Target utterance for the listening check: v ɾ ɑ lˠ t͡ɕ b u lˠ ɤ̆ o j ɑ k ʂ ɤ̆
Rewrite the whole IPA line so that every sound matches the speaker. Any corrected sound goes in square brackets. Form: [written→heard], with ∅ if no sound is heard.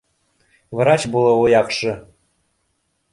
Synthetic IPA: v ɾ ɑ [lˠ→∅] t͡ɕ b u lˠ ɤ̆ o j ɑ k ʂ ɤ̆

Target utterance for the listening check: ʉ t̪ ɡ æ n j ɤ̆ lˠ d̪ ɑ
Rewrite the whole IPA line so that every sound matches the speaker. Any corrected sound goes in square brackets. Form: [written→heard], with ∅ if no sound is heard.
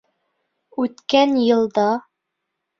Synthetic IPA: ʉ t̪ [ɡ→k] æ n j ɤ̆ lˠ d̪ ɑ

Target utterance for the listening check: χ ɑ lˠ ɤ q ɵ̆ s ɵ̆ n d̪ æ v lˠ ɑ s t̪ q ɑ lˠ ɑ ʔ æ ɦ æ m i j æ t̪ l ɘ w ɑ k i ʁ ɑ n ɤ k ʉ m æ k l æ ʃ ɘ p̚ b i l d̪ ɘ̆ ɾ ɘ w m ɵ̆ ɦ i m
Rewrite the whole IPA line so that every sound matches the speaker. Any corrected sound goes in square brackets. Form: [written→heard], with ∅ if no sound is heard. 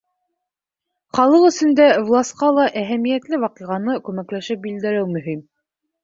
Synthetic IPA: χ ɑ lˠ ɤ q ɵ̆ s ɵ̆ n d̪ æ v lˠ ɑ s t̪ q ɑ lˠ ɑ ʔ æ ɦ æ m i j æ t̪ l ɘ w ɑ [k→q] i ʁ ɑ n ɤ k ʉ m æ k l æ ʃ ɘ p̚ b i l d̪ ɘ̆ ɾ ɘ w m ɵ̆ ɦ i m

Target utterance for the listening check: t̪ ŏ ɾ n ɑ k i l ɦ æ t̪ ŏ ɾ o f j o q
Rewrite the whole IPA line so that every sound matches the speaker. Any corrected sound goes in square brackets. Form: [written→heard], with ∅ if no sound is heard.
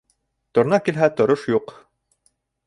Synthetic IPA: t̪ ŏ ɾ n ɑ k i l ɦ æ t̪ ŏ ɾ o [f→ʃ] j [o→u] q

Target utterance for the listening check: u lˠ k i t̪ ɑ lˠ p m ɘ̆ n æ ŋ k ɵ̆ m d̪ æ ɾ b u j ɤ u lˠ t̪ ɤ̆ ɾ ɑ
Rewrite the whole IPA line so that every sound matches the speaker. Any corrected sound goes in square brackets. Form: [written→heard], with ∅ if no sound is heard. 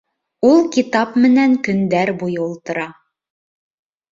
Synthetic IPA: u lˠ k i t̪ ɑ [lˠ→∅] p m ɘ̆ n æ ŋ k ɵ̆ [m→n] d̪ æ ɾ b u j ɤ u lˠ t̪ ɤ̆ ɾ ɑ

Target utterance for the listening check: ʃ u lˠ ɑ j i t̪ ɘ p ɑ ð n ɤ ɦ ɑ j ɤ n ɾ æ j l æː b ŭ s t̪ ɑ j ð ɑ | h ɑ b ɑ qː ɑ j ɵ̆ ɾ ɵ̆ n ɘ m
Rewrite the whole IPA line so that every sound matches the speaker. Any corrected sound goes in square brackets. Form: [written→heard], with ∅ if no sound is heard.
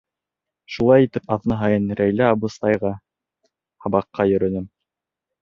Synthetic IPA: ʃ u lˠ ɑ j i t̪ ɘ p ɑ ð n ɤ ɦ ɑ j ɤ n ɾ æ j l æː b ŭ s t̪ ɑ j [ð→ʁ] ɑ | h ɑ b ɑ qː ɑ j ɵ̆ ɾ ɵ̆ n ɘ m

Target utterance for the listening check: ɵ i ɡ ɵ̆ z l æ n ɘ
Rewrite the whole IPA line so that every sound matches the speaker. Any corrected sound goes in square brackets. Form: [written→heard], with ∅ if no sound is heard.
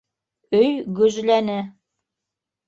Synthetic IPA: ɵ [i→j] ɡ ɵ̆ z l æ n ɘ

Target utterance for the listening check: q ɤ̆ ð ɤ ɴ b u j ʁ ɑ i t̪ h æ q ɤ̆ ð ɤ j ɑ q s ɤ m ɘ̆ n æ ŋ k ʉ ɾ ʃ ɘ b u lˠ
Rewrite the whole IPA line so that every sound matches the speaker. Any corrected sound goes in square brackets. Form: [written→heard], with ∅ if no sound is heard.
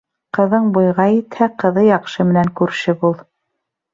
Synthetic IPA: q ɤ̆ ð ɤ ɴ b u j ʁ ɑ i t̪ h æ q ɤ̆ ð ɤ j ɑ q [s→ʃ] ɤ m ɘ̆ n æ ŋ k ʉ ɾ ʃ ɘ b u lˠ

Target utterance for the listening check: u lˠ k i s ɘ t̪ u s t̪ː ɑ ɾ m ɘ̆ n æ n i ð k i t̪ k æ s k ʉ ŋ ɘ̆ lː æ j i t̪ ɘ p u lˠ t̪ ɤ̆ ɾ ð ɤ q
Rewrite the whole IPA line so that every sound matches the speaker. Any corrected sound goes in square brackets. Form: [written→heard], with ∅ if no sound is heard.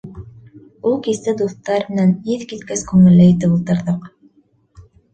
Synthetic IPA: u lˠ k i s ɘ [t̪→d̪] u [s→θ] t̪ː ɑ ɾ m ɘ̆ n æ n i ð k i t̪ k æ s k ʉ ŋ ɘ̆ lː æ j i t̪ ɘ p u lˠ t̪ ɤ̆ ɾ ð ɤ q

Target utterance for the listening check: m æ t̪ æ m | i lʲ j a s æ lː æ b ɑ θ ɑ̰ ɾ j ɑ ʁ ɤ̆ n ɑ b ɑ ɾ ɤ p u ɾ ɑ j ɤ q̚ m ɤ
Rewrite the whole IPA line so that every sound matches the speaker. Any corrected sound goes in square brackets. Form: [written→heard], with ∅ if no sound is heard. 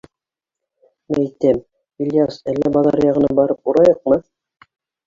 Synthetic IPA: m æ t̪ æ m | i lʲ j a s æ lː æ b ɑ [θ→ð] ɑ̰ ɾ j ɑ ʁ ɤ̆ n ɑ b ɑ ɾ ɤ p u ɾ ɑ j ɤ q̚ m ɤ

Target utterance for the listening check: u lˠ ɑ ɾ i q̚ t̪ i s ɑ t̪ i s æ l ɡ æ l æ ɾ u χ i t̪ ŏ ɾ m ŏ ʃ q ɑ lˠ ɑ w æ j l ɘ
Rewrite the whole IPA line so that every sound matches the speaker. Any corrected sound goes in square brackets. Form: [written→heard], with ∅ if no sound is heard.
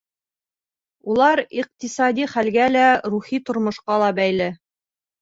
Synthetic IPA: u lˠ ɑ ɾ i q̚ t̪ i s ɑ [t̪→d̪] i [s→χ] æ l ɡ æ l æ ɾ u χ i t̪ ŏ ɾ m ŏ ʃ q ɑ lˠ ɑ [w→b] æ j l ɘ

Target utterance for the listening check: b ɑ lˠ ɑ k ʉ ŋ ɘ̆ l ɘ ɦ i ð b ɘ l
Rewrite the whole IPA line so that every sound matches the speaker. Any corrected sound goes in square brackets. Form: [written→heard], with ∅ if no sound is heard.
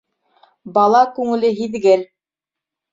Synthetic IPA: b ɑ lˠ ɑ k ʉ ŋ ɘ̆ l ɘ ɦ i ð [b→ɡ] ɘ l

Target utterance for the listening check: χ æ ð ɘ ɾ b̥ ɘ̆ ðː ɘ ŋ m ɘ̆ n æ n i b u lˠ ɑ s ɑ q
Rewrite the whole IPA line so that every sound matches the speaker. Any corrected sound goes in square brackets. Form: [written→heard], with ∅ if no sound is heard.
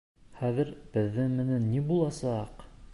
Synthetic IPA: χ æ ð ɘ ɾ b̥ ɘ̆ ðː ɘ ŋ m ɘ̆ n æ [n→nː] i b u lˠ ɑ s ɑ q

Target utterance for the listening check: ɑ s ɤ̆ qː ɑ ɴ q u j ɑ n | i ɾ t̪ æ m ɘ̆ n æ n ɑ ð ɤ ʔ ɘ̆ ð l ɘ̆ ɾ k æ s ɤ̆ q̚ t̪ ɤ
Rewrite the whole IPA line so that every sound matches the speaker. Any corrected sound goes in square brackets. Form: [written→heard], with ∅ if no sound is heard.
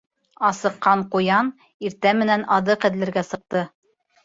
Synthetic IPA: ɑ s ɤ̆ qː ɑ ɴ q u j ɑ n | i ɾ t̪ æ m ɘ̆ n æ n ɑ ð ɤ [ʔ→q] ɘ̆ ð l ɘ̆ ɾ [k→ɡ] æ s ɤ̆ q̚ t̪ ɤ

